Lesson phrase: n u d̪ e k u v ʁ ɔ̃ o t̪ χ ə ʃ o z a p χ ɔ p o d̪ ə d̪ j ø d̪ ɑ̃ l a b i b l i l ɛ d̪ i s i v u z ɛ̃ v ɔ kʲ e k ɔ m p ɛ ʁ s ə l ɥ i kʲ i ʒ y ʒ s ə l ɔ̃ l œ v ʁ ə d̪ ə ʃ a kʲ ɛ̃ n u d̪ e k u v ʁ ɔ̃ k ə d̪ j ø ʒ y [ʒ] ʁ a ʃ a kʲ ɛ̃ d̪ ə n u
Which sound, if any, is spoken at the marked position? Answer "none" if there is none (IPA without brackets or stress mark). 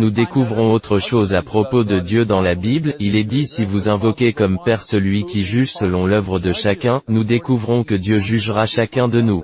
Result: ʒ